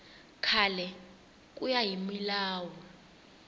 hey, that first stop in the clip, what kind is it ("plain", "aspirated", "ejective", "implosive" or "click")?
aspirated